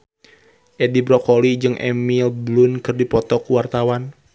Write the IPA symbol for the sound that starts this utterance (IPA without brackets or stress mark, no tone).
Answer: ʔ